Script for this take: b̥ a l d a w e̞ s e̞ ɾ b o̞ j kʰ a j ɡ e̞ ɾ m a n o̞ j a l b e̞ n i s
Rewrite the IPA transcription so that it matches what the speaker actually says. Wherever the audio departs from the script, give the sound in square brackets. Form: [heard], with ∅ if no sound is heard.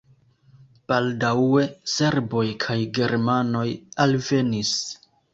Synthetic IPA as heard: b̥ a l d a w e̞ s e̞ ɾ b o̞ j kʰ a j ɡ e̞ ɾ m a n o̞ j a l [v] e̞ n i s